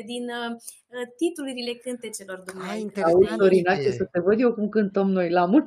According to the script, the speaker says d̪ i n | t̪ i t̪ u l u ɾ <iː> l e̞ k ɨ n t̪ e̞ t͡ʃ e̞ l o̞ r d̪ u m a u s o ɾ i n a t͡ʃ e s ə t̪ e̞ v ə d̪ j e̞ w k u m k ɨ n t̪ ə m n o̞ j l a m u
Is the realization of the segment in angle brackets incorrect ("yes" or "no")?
yes